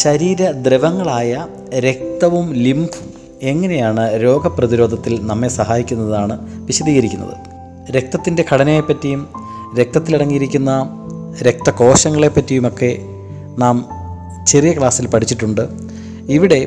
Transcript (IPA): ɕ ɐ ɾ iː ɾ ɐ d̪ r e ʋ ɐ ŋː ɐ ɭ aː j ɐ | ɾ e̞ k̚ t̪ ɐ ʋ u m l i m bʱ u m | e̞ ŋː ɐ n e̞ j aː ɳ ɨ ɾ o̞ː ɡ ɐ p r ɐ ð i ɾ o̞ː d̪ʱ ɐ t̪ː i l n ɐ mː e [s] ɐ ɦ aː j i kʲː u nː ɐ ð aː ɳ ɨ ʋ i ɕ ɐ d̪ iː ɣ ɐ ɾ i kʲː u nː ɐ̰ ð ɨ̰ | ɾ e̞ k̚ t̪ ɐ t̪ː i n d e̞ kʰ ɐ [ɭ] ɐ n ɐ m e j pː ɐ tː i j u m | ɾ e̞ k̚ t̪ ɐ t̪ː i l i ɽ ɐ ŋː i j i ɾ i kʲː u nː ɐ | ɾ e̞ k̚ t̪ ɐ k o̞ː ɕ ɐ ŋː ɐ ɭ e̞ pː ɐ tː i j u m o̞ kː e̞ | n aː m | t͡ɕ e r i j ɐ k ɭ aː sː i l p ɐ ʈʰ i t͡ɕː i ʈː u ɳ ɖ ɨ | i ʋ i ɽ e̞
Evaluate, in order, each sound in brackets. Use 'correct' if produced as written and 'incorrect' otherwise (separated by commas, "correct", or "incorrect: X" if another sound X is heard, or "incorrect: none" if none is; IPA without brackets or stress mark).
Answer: correct, incorrect: ɽ